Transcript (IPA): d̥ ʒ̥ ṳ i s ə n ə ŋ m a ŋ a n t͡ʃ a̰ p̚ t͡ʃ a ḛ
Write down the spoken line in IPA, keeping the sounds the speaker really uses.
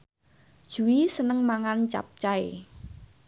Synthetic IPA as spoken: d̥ ʒ̥ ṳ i s ə n ə ŋ m a ŋ a n t͡ʃ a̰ p̚ t͡ʃ a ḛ